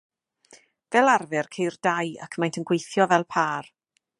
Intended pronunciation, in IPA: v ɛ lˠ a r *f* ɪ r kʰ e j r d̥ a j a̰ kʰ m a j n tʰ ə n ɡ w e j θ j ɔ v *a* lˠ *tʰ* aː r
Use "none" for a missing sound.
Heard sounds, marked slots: v, ɛ, pʰ

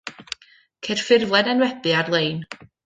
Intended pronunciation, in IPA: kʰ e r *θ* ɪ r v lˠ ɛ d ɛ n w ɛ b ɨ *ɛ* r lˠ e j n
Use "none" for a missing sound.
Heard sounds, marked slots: f, a

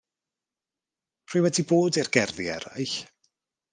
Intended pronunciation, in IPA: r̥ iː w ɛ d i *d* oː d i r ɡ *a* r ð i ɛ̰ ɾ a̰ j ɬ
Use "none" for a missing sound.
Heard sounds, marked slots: b, ɛ

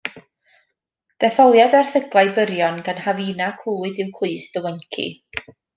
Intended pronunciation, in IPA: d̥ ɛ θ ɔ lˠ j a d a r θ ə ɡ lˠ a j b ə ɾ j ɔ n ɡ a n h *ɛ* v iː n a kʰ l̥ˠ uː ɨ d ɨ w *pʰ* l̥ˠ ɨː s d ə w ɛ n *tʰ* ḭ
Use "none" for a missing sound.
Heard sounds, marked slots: a, kʰ, kʰ

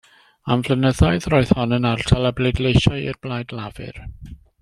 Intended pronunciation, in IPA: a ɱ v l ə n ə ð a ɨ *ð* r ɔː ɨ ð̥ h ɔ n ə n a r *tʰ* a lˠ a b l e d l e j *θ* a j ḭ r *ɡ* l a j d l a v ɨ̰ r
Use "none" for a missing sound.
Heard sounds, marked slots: ð, tʰ, ʃ, b

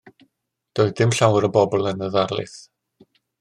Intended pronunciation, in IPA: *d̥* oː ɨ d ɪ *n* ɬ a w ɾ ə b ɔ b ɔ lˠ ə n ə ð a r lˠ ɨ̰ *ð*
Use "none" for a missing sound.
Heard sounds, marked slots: d̥, m, θ

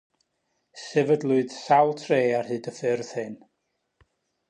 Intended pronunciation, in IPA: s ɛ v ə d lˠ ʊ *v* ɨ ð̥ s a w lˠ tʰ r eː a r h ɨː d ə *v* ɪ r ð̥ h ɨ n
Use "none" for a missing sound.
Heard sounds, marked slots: none, f

